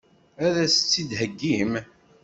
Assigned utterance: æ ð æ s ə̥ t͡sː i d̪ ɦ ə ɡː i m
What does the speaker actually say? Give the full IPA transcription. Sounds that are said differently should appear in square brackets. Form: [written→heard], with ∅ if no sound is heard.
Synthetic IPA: æ ð æ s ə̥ t͡sː i d̪ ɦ ə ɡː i m

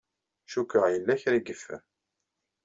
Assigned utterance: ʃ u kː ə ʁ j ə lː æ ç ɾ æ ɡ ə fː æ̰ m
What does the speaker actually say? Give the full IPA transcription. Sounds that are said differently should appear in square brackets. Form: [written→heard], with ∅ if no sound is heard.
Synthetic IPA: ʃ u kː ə ʁ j ə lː æ ç ɾ [æ→i] ɡ ə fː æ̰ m

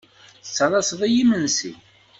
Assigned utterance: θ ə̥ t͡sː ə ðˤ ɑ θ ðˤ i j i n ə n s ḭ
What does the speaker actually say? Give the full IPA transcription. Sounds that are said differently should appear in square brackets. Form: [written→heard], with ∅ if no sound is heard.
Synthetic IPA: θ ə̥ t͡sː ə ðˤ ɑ [θ→s] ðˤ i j i [n→m] ə n s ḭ

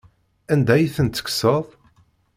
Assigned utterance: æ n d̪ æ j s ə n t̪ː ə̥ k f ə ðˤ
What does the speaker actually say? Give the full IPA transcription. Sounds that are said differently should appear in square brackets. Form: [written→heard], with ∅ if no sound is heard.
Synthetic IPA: æ n d̪ æ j [s→θ] ə n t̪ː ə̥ k [f→s] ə ðˤ

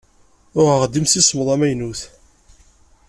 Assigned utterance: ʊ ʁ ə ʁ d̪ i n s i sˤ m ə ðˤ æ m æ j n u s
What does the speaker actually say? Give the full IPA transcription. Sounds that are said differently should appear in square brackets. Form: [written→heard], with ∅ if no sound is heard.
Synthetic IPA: ʊ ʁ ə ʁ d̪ i [n→m] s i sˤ m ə ðˤ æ m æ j n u [s→θ]

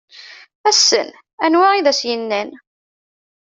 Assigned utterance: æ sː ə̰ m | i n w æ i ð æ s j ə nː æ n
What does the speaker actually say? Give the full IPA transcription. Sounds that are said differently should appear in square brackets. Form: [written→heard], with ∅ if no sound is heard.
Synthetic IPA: æ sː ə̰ [m→n] | [i→æ] n w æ i ð æ s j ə nː æ n

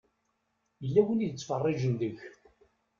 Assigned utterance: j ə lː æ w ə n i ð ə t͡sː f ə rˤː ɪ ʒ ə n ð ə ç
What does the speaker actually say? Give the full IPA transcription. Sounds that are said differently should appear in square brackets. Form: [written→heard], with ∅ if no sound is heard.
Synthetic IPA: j ə lː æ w ə n i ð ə t͡sː f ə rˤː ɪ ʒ ə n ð ə ç

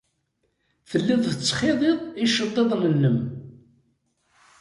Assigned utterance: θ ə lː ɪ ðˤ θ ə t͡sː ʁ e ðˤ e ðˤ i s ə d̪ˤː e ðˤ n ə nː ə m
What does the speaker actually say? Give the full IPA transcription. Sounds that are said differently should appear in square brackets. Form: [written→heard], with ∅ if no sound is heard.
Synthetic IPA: θ ə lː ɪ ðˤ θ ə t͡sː [ʁ→χ] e ðˤ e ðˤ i [s→ʃ] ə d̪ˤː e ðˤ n ə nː ə m

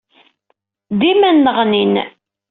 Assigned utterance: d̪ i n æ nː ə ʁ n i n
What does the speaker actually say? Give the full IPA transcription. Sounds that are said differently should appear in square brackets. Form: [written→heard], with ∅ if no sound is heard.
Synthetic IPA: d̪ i [n→m] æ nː ə ʁ n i n

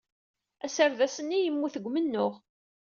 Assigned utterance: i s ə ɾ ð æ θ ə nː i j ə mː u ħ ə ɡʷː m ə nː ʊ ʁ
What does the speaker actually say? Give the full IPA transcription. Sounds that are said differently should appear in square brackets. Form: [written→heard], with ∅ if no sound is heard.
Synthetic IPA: [i→æ] s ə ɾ ð æ [θ→s] ə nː i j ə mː u [ħ→θ] ə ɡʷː m ə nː ʊ ʁ

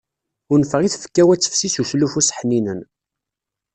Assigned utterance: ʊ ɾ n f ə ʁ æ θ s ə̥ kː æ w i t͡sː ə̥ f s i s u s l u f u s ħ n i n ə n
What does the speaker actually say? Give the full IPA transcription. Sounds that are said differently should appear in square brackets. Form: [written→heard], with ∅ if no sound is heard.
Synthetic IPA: ʊ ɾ n f ə ʁ [æ→i] θ [s→f] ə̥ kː æ w [i→æ] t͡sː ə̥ f s i s u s l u f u s ħ n i n ə n

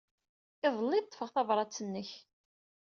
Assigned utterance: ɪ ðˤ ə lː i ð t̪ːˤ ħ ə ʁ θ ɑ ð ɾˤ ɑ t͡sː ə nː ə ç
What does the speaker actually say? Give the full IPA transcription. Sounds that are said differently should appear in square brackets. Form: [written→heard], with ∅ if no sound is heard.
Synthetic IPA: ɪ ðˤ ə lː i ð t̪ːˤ [ħ→f] ə ʁ θ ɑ [ð→v] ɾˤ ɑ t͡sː ə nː ə ç

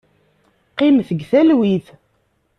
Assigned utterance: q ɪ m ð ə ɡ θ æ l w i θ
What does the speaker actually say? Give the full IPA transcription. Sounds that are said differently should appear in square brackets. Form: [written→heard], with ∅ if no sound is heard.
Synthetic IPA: q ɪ m [ð→θ] ə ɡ θ æ l w i θ

